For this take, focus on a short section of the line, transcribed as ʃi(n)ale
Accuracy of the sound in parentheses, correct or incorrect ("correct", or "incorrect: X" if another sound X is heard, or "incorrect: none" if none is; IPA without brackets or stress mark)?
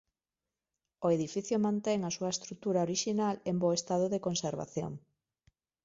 correct